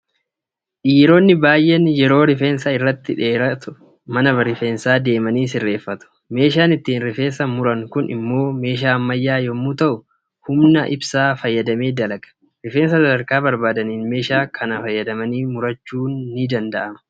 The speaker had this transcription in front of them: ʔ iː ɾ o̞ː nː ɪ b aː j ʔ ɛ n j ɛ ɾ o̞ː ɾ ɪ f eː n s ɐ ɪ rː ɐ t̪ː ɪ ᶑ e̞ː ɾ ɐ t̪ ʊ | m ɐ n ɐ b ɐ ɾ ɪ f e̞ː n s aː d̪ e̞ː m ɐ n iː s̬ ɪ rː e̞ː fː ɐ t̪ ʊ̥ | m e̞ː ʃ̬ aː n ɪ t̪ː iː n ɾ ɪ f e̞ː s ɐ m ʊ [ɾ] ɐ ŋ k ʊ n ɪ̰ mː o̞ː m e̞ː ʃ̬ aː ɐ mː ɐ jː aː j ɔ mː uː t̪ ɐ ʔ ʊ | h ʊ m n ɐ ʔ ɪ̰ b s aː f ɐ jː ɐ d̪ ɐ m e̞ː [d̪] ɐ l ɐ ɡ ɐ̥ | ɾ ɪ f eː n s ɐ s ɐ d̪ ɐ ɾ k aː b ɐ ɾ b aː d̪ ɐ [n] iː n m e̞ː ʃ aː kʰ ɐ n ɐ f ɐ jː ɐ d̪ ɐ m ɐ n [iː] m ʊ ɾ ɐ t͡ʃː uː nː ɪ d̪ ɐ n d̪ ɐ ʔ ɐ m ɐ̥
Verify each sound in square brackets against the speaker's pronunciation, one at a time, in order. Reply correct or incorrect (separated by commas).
correct, correct, correct, correct